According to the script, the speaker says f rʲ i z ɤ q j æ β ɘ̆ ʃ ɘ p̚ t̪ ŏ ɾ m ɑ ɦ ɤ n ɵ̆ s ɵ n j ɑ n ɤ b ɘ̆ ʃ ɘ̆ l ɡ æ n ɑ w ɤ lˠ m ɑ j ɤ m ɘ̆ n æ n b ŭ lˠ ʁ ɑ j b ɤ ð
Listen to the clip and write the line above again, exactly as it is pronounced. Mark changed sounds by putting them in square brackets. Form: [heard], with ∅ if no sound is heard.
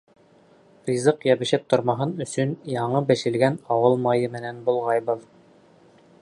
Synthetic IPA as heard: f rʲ i z ɤ q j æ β ɘ̆ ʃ ɘ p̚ t̪ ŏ ɾ m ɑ ɦ ɤ n ɵ̆ s ɵ n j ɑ [ɴ] ɤ b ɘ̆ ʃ ɘ̆ l ɡ æ n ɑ w ɤ lˠ m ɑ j ɤ m ɘ̆ n æ n b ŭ lˠ ʁ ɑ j b ɤ ð